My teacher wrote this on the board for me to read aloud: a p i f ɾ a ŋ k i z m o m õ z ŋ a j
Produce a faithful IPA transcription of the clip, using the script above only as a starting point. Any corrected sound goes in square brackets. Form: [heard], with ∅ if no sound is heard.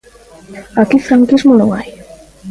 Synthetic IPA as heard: a [k] i f ɾ a ŋ k i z m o [n] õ [∅] ŋ a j